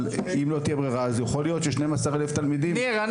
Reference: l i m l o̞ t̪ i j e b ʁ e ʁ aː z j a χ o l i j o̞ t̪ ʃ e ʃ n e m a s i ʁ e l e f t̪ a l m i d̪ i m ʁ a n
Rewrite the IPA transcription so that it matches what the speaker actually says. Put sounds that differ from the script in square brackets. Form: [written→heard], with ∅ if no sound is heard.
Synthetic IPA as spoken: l i m l o̞ t̪ i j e b ʁ e ʁ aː z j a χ o l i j o̞ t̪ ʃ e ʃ n e m a s [i→a] ʁ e l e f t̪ a l m i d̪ i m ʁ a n